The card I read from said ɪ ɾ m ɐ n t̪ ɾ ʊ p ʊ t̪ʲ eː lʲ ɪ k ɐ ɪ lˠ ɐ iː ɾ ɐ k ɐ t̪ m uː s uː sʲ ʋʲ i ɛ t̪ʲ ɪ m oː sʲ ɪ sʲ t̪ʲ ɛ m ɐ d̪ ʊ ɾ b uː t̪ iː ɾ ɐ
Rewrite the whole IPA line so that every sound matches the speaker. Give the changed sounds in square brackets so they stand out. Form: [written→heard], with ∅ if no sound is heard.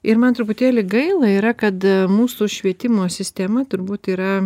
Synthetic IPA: ɪ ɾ m ɐ n t̪ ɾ ʊ p ʊ t̪ʲ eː lʲ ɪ [k→ɡ] ɐ ɪ lˠ ɐ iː ɾ ɐ k ɐ t̪ m uː s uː [sʲ→ʃʲ] ʋʲ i ɛ t̪ʲ ɪ m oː sʲ ɪ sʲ t̪ʲ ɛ m ɐ [d̪→t̪] ʊ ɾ b uː t̪ iː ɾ ɐ